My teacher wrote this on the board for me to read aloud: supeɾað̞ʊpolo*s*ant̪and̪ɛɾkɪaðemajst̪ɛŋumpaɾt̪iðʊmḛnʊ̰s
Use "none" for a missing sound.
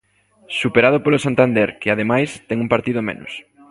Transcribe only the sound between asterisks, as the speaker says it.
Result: s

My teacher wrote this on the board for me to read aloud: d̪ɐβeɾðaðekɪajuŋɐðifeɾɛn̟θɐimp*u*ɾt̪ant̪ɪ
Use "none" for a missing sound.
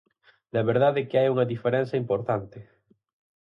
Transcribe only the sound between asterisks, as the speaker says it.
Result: o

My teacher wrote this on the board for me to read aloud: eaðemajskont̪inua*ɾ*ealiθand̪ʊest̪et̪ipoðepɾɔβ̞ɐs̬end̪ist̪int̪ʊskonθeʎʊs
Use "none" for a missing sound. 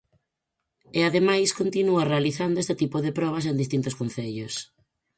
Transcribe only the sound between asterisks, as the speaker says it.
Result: r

